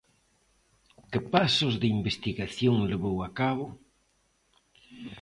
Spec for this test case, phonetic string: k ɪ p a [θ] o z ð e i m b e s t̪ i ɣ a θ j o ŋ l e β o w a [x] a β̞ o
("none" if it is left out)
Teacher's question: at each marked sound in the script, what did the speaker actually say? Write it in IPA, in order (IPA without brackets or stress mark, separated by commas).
s, k